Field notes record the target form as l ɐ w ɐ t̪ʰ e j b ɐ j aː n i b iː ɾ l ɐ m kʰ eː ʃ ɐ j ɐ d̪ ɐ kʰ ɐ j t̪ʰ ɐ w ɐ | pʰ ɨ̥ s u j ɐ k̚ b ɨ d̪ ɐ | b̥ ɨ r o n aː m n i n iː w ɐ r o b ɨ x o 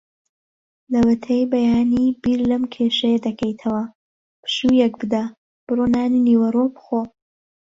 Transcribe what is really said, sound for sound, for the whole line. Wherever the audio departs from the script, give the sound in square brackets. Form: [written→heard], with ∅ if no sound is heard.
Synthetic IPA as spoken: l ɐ w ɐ t̪ʰ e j b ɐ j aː n i b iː ɾ l ɐ m kʰ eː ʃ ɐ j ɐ d̪ ɐ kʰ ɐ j t̪ʰ ɐ w ɐ | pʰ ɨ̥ [s→ʃ] u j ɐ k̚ b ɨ d̪ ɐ | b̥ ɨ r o n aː [m→∅] n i n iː w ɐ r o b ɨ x o

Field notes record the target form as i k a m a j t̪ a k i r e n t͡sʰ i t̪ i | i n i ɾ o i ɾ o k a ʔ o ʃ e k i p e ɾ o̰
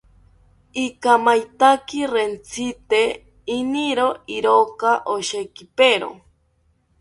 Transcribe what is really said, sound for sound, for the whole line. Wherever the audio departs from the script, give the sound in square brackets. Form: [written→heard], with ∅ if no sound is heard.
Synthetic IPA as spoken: i k a m a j t̪ a k i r e n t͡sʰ i t̪ [i→e] | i n i ɾ o i ɾ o k a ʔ o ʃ e k i p e ɾ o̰

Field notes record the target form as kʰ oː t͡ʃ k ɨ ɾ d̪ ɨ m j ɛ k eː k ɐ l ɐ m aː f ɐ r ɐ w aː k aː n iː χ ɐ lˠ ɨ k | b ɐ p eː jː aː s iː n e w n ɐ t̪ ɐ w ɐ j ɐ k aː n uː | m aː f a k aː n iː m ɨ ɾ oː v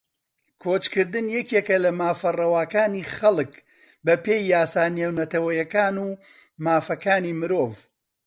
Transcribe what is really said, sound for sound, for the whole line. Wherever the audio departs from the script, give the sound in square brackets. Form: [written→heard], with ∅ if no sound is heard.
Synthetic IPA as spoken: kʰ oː t͡ʃ k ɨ ɾ d̪ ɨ [m→n] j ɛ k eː k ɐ l ɐ m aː f ɐ r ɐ w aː k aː n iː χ ɐ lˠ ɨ k | b ɐ p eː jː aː s [iː→aː] n e w n ɐ t̪ ɐ w ɐ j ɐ k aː n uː | m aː f [a→ɐ] k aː n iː m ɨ ɾ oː v

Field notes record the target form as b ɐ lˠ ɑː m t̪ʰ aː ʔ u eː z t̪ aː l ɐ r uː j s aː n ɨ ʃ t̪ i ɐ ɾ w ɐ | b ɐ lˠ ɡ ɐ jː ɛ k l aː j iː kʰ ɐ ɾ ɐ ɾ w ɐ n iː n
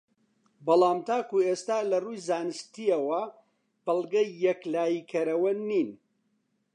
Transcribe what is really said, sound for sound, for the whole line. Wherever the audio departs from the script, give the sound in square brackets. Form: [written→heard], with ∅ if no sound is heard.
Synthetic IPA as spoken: b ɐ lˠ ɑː m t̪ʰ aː [ʔ→k] u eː [z→s] t̪ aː l ɐ r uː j [s→z] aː n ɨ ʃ t̪ i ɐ [ɾ→∅] w ɐ | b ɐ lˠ ɡ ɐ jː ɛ k l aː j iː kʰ ɐ ɾ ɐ [ɾ→∅] w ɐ n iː n

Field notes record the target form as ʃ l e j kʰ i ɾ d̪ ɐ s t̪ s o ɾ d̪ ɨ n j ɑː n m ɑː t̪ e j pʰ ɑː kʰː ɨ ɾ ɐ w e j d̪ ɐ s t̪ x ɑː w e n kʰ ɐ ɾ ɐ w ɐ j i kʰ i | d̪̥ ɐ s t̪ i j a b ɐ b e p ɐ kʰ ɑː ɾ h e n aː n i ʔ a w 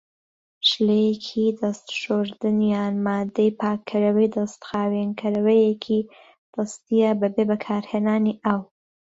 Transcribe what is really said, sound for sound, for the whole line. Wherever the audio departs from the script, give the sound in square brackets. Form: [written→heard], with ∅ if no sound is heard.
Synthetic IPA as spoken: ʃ l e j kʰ i [ɾ→∅] d̪ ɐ s t̪ [s→ʃ] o ɾ d̪ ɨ n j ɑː n m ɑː [t̪→d̪] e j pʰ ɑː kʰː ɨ ɾ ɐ w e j d̪ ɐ s t̪ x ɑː w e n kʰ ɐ ɾ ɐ w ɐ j [i→e] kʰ i | d̪̥ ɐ s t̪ i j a b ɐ b e [p→b] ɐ kʰ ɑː ɾ h e n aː n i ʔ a w

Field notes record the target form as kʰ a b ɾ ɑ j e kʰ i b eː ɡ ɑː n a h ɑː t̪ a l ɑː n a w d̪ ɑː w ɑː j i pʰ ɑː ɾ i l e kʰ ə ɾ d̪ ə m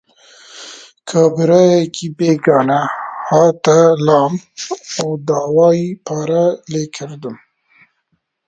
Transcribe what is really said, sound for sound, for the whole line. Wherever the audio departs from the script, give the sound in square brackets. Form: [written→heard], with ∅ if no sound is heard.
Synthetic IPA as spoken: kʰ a b ɾ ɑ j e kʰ i b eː ɡ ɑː n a h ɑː t̪ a l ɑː [n→m] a w d̪ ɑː w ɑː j i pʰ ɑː ɾ [i→a] l e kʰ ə ɾ d̪ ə m

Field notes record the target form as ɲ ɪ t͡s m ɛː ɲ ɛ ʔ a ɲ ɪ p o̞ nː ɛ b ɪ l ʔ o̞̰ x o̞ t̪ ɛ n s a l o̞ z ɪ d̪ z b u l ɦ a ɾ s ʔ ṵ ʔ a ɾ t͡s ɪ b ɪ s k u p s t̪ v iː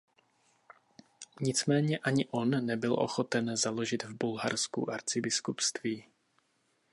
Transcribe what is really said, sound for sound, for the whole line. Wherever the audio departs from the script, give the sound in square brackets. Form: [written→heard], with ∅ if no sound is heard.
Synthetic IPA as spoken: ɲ ɪ t͡s m ɛː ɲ ɛ ʔ a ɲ ɪ [p→ʔ] o̞ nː ɛ b ɪ l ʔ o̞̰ x o̞ t̪ ɛ n [s→z] a l o̞ [z→ʒ] ɪ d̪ [z→v] b u l ɦ a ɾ s [ʔ→k] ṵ ʔ a ɾ t͡s ɪ b ɪ s k u p s t̪ v iː

